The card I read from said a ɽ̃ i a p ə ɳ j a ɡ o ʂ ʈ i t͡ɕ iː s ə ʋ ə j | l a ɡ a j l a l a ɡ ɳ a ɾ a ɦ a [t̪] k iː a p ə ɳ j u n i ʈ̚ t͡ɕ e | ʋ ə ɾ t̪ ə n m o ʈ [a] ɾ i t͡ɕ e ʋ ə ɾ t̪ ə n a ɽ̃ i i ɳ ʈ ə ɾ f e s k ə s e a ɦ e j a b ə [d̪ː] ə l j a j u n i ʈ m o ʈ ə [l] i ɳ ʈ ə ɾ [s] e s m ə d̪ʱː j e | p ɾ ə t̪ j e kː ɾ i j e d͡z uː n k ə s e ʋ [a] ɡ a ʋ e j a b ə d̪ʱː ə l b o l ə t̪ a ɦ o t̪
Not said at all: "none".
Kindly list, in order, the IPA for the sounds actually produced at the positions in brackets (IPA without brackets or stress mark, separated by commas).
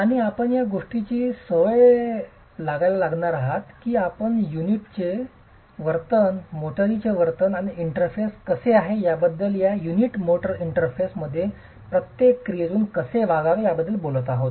t̪, ə, d̪ː, ɾ, f, a